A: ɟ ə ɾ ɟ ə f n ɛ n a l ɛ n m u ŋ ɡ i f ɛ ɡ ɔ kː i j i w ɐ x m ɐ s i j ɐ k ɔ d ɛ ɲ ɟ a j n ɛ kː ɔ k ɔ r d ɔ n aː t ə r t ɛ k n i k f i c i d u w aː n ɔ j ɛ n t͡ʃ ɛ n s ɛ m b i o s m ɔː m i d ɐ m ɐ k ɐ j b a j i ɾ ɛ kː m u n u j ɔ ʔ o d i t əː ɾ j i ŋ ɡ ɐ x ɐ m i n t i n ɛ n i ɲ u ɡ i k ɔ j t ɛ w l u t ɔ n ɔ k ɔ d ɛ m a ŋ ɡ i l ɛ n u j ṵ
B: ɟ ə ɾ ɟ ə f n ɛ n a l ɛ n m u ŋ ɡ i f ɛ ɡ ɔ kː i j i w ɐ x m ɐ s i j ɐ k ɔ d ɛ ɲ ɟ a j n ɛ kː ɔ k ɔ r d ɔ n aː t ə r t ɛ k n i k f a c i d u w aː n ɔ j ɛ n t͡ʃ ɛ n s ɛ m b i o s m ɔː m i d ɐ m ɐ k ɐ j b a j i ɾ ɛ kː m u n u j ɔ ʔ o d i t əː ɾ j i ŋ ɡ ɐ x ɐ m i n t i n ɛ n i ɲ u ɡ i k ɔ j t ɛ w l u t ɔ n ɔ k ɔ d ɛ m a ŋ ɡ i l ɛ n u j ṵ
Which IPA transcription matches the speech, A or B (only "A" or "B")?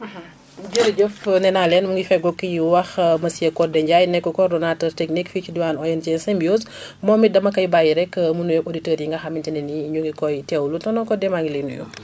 A